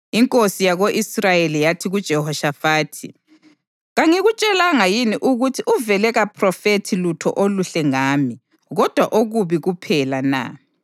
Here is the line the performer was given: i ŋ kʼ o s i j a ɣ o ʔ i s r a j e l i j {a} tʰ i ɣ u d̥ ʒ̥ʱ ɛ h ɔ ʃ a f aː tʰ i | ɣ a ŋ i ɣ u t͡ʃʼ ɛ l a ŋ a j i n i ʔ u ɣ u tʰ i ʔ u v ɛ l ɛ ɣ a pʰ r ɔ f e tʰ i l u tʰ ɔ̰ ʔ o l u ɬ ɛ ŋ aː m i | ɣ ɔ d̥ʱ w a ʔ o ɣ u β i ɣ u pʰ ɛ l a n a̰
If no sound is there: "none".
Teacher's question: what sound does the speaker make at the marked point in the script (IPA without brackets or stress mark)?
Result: a